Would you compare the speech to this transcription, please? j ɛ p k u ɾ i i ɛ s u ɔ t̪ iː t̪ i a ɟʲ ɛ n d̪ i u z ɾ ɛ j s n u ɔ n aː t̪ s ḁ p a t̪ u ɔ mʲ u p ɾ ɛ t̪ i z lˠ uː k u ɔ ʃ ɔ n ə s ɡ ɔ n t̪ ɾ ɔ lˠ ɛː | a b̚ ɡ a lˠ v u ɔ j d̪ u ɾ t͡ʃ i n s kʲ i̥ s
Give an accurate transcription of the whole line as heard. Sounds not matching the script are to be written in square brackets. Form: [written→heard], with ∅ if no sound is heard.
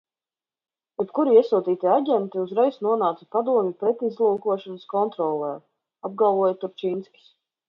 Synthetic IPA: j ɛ p k u ɾ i i ɛ s u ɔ t̪ iː t̪ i a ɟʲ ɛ n [d̪→t̪] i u z ɾ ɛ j s n u ɔ n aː t̪ s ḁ p a [t̪→d̪] u ɔ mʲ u p ɾ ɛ t̪ i z lˠ uː k u ɔ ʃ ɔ n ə s [ɡ→k] ɔ n t̪ ɾ ɔ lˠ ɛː | a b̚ ɡ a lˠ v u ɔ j [d̪→t̪] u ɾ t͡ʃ i n s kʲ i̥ s